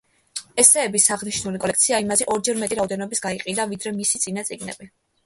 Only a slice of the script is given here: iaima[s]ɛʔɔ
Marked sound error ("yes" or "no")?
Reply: yes